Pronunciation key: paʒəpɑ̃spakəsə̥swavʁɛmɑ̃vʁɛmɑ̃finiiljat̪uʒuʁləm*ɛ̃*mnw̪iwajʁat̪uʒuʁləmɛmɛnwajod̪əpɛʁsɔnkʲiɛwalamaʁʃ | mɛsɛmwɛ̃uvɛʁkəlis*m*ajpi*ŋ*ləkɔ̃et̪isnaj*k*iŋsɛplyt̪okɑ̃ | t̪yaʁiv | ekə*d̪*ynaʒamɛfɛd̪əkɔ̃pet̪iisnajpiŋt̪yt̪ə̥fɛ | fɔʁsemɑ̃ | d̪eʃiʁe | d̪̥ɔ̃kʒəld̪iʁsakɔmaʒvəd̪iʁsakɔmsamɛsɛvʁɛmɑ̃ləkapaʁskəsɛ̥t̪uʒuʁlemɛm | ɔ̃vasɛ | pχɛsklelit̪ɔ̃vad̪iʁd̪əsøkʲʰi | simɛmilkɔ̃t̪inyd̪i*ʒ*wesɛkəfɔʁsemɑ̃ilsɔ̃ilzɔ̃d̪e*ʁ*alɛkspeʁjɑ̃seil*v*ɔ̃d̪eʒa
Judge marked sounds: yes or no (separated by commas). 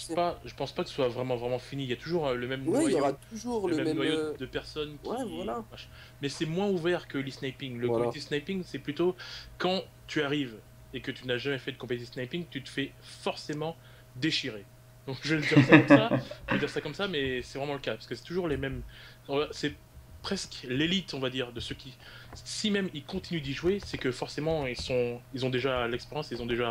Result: no, no, yes, no, no, yes, no, no